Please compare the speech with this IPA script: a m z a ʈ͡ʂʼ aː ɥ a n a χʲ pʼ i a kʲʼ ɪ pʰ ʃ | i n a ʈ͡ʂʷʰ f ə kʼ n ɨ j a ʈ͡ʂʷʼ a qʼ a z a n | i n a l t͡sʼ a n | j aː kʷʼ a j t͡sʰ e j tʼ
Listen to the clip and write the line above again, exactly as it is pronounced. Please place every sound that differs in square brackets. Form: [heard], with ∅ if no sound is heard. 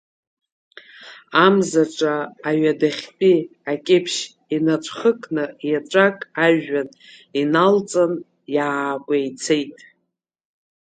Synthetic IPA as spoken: a m z a ʈ͡ʂʼ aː ɥ a [d] a χʲ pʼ i a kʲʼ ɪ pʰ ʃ | i n a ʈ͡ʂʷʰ [χ] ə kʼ n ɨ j a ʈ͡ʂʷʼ a [kʼ] a [ʒ] a n | i n a l t͡sʼ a n | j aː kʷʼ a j t͡sʰ e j tʼ